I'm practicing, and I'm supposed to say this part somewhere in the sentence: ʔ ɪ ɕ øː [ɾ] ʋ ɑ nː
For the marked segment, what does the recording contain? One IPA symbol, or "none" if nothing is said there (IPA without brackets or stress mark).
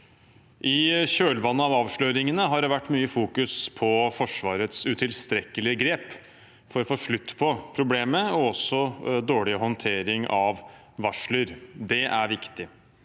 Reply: l